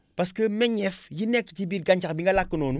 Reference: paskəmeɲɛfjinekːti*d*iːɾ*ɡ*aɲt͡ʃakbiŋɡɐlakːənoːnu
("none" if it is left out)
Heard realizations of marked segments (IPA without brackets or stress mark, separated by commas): b, ɡ